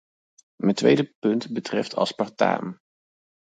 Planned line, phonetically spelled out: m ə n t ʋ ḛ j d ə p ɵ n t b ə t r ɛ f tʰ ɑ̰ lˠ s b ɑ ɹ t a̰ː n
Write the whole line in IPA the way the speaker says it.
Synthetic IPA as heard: m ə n t ʋ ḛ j d ə p ɵ n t b ə t r ɛ f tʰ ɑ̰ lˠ s p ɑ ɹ t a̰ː m